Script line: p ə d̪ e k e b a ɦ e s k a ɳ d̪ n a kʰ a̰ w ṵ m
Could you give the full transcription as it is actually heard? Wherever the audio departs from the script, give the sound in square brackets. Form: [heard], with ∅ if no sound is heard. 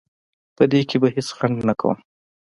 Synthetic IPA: p ə d̪ e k e b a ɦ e s [x] a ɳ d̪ n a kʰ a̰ w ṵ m